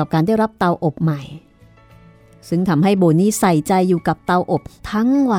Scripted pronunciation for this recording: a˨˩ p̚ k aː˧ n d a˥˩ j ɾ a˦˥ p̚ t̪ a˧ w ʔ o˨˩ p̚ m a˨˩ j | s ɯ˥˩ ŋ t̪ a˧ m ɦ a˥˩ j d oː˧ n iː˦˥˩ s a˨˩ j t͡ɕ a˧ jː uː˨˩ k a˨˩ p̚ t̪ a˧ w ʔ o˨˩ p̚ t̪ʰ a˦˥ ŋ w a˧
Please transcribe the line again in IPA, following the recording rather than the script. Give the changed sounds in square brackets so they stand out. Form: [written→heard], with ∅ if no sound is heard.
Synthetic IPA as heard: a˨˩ p̚ k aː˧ n d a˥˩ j ɾ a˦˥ p̚ t̪ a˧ w ʔ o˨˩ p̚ m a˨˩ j | s ɯ˥˩ ŋ [t̪→t̪ʰ] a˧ m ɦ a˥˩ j [d→b] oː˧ n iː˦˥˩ s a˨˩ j t͡ɕ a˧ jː uː˨˩ k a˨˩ p̚ t̪ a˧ w ʔ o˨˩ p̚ t̪ʰ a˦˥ ŋ w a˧